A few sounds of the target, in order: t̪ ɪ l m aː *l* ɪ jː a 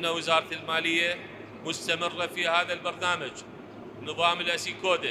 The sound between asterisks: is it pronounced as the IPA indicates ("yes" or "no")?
yes